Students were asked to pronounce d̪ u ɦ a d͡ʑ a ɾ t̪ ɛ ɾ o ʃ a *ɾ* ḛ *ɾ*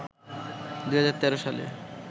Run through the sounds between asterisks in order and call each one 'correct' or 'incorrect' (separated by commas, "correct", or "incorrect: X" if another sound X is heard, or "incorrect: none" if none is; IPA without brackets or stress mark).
incorrect: l, incorrect: none